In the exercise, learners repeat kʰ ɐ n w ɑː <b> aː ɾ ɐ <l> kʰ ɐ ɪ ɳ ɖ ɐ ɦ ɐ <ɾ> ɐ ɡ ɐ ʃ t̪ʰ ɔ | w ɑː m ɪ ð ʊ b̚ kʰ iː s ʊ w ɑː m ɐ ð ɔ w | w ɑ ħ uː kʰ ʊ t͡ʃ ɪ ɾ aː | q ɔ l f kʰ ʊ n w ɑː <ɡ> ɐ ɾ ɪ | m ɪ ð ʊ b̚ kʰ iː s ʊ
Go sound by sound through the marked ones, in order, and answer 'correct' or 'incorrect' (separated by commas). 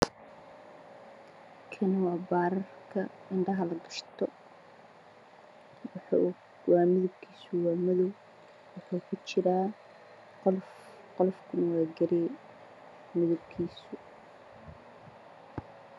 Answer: correct, incorrect, incorrect, correct